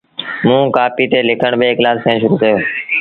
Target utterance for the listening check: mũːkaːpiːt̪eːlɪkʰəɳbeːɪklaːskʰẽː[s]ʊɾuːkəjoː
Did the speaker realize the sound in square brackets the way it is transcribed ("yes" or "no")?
no